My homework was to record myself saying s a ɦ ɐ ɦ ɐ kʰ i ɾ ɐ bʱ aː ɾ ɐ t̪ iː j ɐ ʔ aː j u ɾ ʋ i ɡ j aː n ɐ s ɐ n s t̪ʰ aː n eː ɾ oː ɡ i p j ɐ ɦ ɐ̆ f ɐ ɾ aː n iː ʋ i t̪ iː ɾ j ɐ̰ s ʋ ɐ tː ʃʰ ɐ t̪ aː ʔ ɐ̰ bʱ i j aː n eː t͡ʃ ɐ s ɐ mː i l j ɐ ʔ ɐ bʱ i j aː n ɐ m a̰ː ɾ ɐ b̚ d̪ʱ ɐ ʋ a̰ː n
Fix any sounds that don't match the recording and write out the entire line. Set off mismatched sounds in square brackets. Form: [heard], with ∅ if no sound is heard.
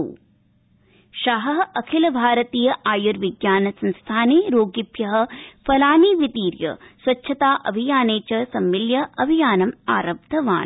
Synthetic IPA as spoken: [ʃ] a ɦ ɐ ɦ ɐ kʰ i [l] ɐ bʱ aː ɾ ɐ t̪ iː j ɐ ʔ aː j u ɾ ʋ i ɡ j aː n ɐ s ɐ n s t̪ʰ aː n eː ɾ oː ɡ i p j ɐ ɦ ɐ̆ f ɐ [l] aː n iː ʋ i t̪ iː ɾ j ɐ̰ s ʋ ɐ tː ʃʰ ɐ t̪ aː ʔ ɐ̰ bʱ i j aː n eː t͡ʃ ɐ s ɐ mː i l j ɐ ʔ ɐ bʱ i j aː n ɐ m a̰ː ɾ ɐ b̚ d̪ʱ ɐ ʋ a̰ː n